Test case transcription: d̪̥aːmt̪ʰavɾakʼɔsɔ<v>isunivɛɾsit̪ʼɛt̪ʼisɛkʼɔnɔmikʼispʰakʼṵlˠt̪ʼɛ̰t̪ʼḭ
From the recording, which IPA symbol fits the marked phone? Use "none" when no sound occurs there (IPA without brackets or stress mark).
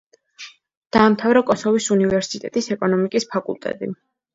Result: v